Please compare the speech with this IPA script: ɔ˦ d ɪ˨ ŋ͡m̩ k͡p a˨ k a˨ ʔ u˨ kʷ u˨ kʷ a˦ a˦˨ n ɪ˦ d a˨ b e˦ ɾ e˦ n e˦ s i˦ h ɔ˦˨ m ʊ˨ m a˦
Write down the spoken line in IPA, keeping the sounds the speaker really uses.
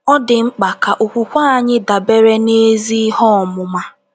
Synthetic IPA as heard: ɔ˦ d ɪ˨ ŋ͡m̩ k͡p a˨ k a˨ ʔ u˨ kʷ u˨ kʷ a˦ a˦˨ ɲ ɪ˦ d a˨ b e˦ ɾ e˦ n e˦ z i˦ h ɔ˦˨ m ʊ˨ m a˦